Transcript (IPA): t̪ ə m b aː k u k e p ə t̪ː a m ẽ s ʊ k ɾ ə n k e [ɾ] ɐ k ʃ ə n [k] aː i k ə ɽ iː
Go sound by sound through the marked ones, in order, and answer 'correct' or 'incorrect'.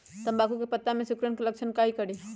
incorrect, correct

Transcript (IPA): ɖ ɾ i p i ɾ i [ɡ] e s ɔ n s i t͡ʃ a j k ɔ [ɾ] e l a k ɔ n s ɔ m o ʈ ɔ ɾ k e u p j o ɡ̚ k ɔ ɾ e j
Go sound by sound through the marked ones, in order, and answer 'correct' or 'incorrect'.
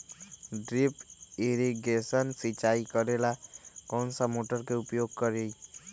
correct, correct

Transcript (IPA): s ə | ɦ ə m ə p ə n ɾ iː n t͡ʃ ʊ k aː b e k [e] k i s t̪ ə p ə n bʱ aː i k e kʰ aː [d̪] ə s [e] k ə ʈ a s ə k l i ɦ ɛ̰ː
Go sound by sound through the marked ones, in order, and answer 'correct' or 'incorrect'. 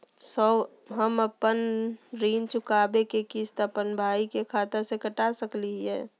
correct, incorrect, correct

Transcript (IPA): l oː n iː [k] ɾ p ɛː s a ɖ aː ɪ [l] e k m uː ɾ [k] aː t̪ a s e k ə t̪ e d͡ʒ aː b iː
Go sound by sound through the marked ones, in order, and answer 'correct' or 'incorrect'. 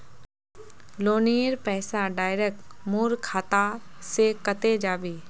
incorrect, incorrect, incorrect

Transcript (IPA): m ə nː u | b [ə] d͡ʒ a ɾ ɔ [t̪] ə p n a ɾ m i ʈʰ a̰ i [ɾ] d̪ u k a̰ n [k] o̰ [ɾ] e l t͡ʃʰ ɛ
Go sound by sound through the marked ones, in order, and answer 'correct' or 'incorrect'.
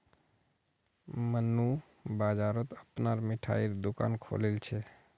incorrect, correct, correct, incorrect, incorrect

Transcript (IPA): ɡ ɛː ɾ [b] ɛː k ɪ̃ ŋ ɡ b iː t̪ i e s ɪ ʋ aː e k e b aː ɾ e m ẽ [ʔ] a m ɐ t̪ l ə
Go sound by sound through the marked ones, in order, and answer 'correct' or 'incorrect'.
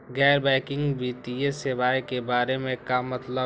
correct, incorrect

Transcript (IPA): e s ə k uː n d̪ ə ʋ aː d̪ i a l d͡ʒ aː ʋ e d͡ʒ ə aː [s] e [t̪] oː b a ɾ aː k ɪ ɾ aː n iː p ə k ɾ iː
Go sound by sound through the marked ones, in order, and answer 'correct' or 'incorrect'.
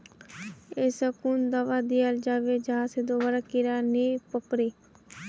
correct, incorrect

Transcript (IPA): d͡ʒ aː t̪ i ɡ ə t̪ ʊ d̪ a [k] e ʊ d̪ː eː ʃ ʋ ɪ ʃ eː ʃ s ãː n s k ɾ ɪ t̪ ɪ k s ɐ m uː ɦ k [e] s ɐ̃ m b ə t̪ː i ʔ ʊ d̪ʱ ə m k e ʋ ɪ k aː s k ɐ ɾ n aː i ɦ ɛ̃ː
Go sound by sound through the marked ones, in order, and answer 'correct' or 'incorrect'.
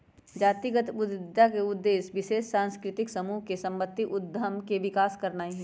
correct, correct

